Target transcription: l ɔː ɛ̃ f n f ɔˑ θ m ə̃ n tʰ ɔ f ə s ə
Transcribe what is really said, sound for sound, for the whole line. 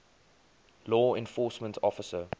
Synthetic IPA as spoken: l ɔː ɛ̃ n f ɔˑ s m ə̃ n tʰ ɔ f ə s ə

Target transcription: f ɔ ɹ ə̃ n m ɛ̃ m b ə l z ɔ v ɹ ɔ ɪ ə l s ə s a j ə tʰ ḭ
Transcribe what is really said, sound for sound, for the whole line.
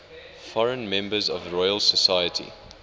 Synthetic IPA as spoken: f ɔ ɹ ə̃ n m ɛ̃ m b ə z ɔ v ɹ ɔ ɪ ə l s ə s a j ə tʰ ḭ

